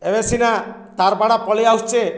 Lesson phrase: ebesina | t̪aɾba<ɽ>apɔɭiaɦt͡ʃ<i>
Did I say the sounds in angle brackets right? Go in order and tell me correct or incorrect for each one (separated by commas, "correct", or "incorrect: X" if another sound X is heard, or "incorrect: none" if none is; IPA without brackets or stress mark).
correct, incorrect: e